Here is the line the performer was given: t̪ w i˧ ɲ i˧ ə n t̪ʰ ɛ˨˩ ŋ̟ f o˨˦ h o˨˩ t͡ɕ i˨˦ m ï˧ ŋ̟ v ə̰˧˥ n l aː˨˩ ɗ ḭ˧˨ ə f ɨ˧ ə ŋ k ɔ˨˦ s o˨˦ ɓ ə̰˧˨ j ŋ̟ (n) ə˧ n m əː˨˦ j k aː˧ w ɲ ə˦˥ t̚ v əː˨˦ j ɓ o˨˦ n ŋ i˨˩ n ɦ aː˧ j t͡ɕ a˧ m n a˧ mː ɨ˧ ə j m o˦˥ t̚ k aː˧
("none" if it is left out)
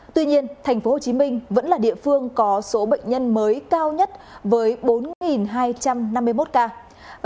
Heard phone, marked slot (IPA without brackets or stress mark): ɲ